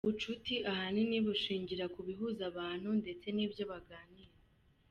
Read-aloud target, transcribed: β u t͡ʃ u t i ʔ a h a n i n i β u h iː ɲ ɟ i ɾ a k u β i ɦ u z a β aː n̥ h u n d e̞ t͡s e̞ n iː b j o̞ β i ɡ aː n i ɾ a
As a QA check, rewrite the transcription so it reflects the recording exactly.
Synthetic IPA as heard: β u t͡ʃ u t i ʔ a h a n i n i β u ʃ iː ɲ ɟ i ɾ a k u β i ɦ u z a β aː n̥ h u n d e̞ t͡s e̞ n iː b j o̞ β a ɡ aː n i ɾ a

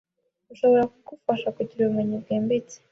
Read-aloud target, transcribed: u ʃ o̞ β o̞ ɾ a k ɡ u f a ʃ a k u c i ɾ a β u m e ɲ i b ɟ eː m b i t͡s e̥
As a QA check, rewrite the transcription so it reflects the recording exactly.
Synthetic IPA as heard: u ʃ o̞ β o̞ ɾ a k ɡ u f a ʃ a k u ɟ i ɾ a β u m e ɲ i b ɡ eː m b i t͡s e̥

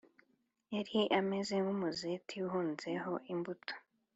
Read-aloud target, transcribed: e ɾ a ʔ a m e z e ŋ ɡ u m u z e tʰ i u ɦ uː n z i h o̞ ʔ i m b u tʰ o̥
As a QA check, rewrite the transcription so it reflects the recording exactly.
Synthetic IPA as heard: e ɾ i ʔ a m e z e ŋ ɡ u m u z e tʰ i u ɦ uː n z e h o̞ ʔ i m b u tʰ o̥

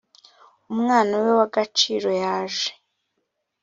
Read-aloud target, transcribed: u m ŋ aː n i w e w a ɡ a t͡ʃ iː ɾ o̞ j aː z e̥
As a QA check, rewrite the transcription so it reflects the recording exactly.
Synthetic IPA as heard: u m ŋ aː n a w e w a ɡ a t͡ʃ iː ɾ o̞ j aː ʒ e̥

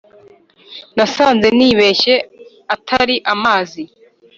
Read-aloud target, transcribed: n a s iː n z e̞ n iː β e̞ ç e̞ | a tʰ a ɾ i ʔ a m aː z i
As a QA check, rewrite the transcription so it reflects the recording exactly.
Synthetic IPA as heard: n a s aː n z e̞ n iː β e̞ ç e̞ | a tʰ a ɾ i ʔ a m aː z i

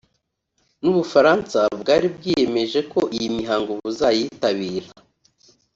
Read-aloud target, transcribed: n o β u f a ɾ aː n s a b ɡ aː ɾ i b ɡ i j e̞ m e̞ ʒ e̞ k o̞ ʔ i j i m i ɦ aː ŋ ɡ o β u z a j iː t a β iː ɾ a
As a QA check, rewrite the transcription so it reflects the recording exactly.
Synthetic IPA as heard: n u β u f a ɾ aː n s a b ɡ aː ɾ i b ɡ i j e̞ m e̞ ʒ e̞ k o̞ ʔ i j i m i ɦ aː ŋ ɡ o β u z a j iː t a β iː ɾ a

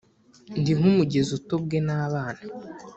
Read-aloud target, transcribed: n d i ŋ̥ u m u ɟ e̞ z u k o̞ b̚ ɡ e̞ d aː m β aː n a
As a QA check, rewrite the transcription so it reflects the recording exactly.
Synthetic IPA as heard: n d i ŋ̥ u m u ɟ e̞ z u t o̞ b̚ ɡ e̞ n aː β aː n a

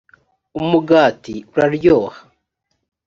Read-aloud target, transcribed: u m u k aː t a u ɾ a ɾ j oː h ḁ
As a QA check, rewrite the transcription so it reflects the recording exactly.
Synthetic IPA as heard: u m u ɡ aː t i u ɾ a ɾ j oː h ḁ

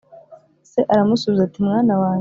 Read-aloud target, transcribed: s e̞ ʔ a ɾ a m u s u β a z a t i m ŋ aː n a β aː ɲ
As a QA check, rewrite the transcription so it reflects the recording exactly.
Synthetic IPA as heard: s e̞ ʔ a ɾ a m u s u β i z a t i m ŋ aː n a w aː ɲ

